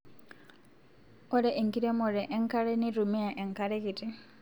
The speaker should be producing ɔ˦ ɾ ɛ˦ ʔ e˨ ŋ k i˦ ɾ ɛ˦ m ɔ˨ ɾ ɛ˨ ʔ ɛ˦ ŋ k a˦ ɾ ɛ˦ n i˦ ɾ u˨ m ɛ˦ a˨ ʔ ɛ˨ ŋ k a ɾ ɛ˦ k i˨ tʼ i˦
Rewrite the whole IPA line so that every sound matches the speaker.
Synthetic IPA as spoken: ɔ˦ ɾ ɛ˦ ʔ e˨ ŋ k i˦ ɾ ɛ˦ m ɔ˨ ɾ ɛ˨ ʔ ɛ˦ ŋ k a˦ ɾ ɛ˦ n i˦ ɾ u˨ m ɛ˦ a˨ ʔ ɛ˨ ŋ k a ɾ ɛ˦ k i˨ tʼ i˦